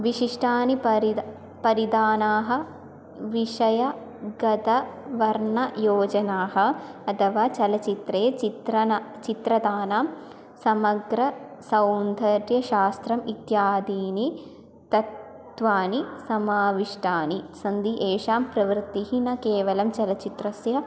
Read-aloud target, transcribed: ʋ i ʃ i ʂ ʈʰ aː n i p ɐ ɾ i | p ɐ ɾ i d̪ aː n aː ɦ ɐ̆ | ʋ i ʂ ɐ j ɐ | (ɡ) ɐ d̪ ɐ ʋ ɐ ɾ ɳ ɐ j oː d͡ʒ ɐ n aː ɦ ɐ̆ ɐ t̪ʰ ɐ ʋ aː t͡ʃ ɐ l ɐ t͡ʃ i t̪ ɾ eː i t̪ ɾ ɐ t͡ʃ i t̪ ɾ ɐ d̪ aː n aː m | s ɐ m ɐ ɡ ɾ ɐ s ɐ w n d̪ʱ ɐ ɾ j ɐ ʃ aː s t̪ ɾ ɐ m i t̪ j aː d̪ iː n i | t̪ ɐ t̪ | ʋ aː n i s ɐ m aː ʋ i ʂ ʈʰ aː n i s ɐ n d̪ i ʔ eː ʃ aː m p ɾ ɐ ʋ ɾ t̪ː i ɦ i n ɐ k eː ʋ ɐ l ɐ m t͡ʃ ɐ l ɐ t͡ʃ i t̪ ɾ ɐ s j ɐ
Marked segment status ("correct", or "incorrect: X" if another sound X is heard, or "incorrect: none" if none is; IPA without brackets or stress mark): correct